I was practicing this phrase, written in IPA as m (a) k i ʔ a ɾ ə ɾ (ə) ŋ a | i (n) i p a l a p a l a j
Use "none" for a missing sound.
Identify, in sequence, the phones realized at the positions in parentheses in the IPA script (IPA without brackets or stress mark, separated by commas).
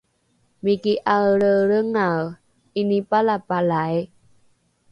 i, ə, n